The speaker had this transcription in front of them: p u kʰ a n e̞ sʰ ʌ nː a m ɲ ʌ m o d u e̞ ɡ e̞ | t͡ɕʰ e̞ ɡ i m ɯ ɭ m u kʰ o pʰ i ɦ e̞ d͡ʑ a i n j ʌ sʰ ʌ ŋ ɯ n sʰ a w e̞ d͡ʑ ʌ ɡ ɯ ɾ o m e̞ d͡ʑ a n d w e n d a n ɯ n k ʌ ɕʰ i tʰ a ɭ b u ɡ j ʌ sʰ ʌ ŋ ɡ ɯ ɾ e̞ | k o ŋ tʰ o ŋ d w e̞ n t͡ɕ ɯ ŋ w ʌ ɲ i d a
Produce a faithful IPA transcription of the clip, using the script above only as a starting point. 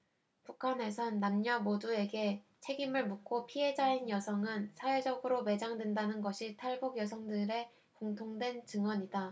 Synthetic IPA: p u kʰ a n e̞ sʰ ʌ nː a m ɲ ʌ m o d u e̞ ɡ e̞ | t͡ɕʰ e̞ ɡ i m ɯ ɭ m u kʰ o pʰ i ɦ e̞ d͡ʑ a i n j ʌ sʰ ʌ ŋ ɯ n sʰ a w e̞ d͡ʑ ʌ ɡ ɯ ɾ o m e̞ d͡ʑ a ŋ d w e n d a n ɯ n ɡ ʌ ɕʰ i tʰ a ɭ b u ɡ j ʌ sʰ ʌ ŋ d ɯ ɾ e̞ | k o ŋ tʰ o ŋ d w e̞ n t͡ɕ ɯ ŋ w ʌ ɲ i d a

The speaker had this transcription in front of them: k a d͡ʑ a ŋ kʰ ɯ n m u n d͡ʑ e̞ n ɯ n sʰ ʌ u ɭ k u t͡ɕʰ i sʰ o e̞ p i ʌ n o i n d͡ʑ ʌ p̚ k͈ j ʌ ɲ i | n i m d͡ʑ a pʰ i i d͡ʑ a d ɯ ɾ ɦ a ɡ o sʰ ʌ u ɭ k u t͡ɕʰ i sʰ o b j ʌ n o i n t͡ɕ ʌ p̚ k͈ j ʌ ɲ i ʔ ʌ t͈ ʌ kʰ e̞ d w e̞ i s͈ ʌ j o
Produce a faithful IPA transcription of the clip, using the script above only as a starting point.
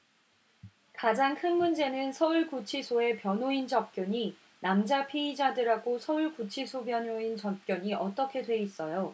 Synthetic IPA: k a d͡ʑ a ŋ kʰ ɯ n m u n d͡ʑ e̞ n ɯ n sʰ ʌ u ɭ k u t͡ɕʰ i sʰ o e̞ p j ʌ n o i n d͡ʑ ʌ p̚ k͈ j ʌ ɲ i | n a m d͡ʑ a pʰ i i d͡ʑ a d ɯ ɾ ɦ a ɡ o sʰ ʌ u ɭ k u t͡ɕʰ i sʰ o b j ʌ n o i n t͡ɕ ʌ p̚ k͈ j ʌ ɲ i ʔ ʌ t͈ ʌ kʰ e̞ d w e̞ i s͈ ʌ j o

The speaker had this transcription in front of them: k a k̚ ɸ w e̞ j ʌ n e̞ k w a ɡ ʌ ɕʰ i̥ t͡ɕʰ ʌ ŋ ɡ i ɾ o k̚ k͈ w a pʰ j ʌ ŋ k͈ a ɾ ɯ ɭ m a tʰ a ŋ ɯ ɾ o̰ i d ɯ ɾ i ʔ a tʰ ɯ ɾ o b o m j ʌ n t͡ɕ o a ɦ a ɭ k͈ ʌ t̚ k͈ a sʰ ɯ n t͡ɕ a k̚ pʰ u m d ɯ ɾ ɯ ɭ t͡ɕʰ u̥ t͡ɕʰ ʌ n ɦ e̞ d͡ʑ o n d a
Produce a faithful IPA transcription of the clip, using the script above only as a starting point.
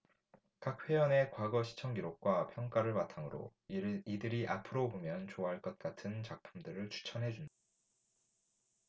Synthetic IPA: k a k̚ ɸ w e̞ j ʌ n e̞ k w a ɡ ʌ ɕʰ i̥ t͡ɕʰ ʌ ŋ ɡ i ɾ o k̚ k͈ w a pʰ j ʌ ŋ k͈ a ɾ ɯ ɭ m a tʰ a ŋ ɯ ɾ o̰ i d ɯ ɾ i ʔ a pʰ ɯ ɾ o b o m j ʌ n t͡ɕ o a ɦ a ɭ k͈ ʌ t̚ k͈ a tʰ ɯ n t͡ɕ a k̚ pʰ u m d ɯ ɾ ɯ ɭ t͡ɕʰ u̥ t͡ɕʰ ʌ n ɦ e̞ d͡ʑ u n d a

